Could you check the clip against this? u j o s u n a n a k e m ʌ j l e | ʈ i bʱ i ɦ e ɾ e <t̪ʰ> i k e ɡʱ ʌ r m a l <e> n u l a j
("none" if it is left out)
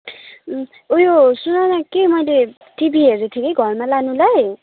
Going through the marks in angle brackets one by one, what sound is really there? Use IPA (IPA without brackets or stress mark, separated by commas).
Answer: t̪ʰ, a